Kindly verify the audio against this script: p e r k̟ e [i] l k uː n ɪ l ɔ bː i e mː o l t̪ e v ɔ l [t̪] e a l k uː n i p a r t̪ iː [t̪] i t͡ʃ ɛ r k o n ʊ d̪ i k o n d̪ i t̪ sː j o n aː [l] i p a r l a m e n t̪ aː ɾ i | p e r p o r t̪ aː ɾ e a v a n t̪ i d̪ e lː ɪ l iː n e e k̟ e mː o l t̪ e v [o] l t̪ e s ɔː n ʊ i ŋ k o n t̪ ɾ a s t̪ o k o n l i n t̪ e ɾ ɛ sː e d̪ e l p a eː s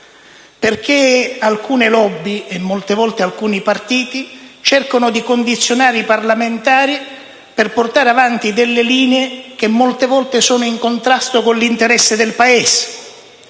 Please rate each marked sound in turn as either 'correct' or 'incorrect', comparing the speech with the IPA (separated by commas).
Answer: incorrect, correct, correct, incorrect, incorrect